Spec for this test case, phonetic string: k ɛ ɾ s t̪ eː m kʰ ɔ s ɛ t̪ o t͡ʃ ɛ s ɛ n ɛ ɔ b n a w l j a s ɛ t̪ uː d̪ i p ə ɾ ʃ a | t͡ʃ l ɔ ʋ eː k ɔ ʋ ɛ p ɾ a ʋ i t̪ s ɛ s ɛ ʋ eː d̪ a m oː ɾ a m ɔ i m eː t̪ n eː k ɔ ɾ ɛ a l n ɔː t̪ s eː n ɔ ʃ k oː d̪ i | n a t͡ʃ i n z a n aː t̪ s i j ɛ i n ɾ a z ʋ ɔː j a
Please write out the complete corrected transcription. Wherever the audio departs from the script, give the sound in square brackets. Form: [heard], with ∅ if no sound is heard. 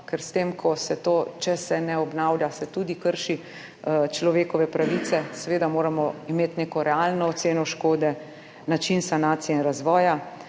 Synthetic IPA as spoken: k ɛ ɾ s t̪ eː m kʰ ɔ s ɛ t̪ o t͡ʃ ɛ s ɛ n ɛ ɔ b n a w l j a s ɛ t̪ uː d̪ i [k] ə ɾ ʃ [i] | t͡ʃ l ɔ ʋ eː k ɔ ʋ ɛ p ɾ a ʋ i t̪ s ɛ s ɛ ʋ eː d̪ a m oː ɾ a m ɔ i m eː t̪ n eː k ɔ ɾ ɛ a l n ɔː t̪ s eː n ɔ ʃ k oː d̪ [ɛ] | n a t͡ʃ i n [s] a n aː t̪ s i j ɛ i n ɾ a z ʋ ɔː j a